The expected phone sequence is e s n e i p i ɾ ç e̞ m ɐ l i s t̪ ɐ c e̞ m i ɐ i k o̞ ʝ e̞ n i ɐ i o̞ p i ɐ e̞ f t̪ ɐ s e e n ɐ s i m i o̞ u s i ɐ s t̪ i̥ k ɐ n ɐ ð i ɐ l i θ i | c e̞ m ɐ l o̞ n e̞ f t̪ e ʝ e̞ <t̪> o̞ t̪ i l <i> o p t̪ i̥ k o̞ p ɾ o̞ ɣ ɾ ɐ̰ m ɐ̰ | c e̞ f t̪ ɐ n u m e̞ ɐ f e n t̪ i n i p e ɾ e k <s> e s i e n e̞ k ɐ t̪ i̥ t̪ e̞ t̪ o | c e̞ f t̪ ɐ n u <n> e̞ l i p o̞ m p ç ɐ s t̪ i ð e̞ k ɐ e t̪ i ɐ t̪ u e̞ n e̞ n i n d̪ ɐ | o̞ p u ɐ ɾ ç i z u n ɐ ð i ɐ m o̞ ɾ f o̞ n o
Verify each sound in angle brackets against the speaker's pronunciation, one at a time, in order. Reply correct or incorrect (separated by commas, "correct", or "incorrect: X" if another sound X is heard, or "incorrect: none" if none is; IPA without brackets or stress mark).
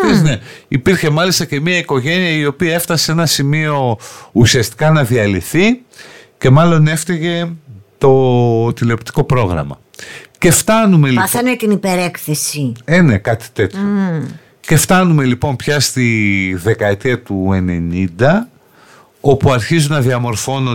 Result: correct, incorrect: e, incorrect: θ, incorrect: m